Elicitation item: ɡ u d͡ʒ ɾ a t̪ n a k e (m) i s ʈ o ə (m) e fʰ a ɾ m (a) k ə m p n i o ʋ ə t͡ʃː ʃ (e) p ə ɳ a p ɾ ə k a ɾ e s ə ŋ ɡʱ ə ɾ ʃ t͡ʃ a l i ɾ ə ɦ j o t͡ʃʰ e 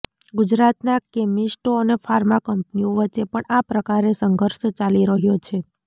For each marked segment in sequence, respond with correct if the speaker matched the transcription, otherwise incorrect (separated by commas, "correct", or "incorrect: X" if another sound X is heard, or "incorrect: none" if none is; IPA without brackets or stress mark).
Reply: correct, incorrect: n, correct, correct